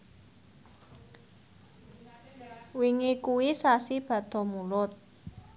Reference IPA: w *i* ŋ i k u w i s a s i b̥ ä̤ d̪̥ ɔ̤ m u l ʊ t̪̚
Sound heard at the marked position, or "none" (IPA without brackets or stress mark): i